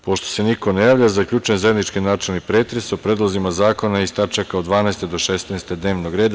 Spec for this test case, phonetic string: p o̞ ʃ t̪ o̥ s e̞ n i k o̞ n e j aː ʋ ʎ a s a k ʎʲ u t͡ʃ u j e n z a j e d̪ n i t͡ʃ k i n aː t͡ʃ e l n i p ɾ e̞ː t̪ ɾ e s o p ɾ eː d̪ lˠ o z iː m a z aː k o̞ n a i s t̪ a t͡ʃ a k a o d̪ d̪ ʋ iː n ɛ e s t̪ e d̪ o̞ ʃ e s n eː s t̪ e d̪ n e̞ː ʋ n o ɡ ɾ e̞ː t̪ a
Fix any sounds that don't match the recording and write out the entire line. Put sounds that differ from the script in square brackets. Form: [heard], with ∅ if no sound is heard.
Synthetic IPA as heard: p o̞ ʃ t̪ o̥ s e̞ n i k o̞ n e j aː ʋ ʎ a [z] a k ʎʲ u t͡ʃ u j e n z a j e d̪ n i t͡ʃ k i n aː t͡ʃ e l n i p ɾ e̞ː t̪ ɾ e s o p ɾ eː d̪ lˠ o z [i] m a z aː k o̞ n a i s t̪ a t͡ʃ a k a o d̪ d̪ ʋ [aː] n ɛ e s t̪ e d̪ o̞ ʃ e s n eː s t̪ e d̪ n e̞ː ʋ n o ɡ ɾ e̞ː [d̪] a